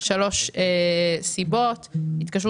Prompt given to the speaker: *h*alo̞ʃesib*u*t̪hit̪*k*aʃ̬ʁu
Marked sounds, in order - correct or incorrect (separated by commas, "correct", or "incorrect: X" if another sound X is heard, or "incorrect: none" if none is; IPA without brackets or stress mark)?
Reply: incorrect: ʃ, incorrect: o, correct